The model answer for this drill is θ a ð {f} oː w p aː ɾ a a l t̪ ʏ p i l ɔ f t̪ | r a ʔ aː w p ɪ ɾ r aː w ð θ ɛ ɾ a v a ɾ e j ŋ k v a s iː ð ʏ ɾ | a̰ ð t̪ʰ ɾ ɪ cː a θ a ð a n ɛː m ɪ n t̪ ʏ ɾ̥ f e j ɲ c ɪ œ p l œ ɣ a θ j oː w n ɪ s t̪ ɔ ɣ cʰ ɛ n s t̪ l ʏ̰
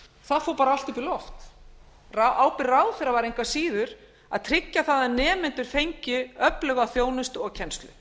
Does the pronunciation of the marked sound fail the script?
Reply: no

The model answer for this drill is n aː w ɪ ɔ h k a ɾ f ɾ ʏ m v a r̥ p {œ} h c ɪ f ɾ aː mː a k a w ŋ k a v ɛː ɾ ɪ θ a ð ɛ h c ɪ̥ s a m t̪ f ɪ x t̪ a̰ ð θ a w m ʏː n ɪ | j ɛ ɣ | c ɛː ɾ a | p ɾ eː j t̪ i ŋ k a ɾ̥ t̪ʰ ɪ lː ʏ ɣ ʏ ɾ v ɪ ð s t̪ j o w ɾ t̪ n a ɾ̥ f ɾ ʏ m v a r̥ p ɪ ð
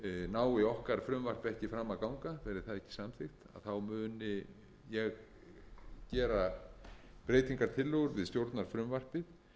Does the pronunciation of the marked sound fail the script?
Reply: yes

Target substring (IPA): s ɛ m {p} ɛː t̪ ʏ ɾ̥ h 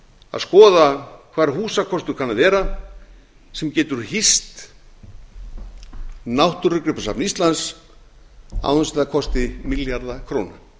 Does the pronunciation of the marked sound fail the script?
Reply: yes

